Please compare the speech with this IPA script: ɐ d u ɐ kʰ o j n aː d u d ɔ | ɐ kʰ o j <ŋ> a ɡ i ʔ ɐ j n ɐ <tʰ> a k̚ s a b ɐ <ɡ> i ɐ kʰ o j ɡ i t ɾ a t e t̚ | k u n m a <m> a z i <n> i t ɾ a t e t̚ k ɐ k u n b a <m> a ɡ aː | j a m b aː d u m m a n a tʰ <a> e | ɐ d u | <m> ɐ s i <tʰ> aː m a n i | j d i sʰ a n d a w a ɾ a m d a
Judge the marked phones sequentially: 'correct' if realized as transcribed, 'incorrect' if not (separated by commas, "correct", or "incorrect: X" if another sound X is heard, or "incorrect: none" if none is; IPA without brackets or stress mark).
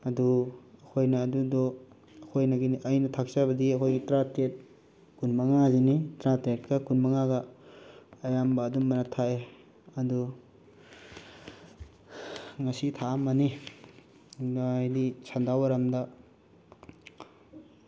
incorrect: n, correct, incorrect: d, incorrect: ŋ, correct, incorrect: ŋ, correct, incorrect: ŋ, correct